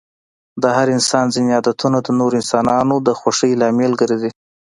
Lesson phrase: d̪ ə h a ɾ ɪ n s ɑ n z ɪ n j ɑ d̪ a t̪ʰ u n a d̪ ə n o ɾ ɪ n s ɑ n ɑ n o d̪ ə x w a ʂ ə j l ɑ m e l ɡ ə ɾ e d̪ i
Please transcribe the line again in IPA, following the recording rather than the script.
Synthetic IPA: d̪ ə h a ɾ ɪ n s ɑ n z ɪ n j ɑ d̪ a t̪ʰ u n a d̪ ə n o ɾ ɪ n s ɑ n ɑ n o d̪ ə x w a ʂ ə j l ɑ m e l ɡ ə ɾ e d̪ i